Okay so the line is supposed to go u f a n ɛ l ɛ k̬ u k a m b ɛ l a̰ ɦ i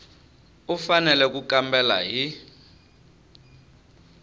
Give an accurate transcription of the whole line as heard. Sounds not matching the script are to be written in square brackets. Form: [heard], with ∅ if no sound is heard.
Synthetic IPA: u f a n ɛ l ɛ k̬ u k a m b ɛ l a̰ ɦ i